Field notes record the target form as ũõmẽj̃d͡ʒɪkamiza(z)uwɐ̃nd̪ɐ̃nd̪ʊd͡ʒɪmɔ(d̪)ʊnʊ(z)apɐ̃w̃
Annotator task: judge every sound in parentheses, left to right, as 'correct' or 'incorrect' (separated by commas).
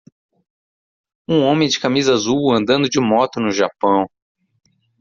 correct, incorrect, incorrect